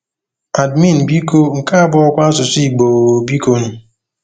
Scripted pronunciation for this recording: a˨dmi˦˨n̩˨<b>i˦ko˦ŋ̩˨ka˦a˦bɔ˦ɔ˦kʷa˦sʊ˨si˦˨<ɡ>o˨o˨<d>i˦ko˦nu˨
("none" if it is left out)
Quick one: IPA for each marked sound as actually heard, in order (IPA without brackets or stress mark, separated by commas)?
b, ɡ͡b, b